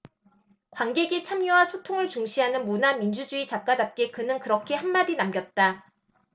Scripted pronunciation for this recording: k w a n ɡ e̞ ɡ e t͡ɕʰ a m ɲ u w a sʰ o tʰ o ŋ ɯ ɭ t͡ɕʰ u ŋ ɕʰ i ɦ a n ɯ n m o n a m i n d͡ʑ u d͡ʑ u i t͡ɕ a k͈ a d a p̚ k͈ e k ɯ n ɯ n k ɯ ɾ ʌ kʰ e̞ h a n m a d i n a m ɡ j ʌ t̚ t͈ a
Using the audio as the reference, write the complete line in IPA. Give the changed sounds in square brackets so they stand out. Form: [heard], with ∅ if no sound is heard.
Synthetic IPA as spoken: k w a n ɡ e̞ ɡ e t͡ɕʰ a m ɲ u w a sʰ o tʰ o ŋ ɯ ɭ [t͡ɕ] u ŋ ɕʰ i ɦ a n ɯ n m [u] n a m i n d͡ʑ u d͡ʑ u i t͡ɕ a k͈ a d a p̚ k͈ e k ɯ n ɯ n k ɯ ɾ ʌ kʰ e̞ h a n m a d i n a m ɡ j ʌ t̚ t͈ a